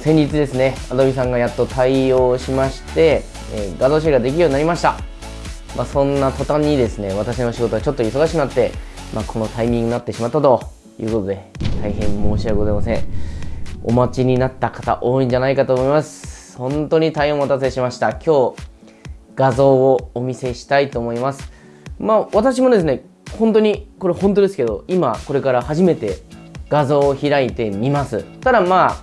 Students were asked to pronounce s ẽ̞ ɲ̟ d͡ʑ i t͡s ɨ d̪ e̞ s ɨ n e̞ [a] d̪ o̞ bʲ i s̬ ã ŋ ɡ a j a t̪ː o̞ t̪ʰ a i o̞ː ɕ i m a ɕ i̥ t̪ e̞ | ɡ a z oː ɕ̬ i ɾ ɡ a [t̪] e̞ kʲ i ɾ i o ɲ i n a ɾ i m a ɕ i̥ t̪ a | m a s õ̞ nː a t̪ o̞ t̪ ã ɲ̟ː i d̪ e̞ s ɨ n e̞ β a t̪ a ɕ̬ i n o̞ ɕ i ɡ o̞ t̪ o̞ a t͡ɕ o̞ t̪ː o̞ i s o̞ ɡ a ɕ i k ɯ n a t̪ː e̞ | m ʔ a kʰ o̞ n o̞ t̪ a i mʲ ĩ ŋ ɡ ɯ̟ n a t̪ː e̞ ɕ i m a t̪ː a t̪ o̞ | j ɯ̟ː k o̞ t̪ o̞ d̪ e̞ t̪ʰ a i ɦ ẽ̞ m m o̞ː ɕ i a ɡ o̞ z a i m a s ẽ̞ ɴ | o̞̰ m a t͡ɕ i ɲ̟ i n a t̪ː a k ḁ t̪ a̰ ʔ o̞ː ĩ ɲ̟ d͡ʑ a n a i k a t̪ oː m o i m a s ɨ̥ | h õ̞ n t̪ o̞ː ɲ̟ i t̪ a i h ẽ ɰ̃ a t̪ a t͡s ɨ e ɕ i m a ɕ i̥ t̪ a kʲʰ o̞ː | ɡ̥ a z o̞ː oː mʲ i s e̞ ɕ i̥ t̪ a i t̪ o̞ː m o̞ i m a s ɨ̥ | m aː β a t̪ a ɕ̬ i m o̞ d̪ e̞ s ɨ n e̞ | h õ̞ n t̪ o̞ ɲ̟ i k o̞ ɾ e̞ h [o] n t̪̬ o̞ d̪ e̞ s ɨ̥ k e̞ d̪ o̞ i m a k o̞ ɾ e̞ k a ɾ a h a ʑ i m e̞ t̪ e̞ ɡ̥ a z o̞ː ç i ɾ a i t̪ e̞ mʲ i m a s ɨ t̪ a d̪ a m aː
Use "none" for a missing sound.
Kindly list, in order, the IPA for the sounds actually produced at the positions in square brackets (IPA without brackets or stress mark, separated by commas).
a, d̪, õ